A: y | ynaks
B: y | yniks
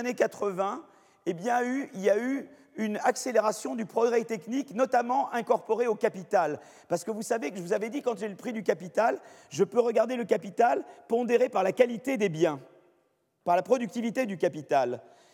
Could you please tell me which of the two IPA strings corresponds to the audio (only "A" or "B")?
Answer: A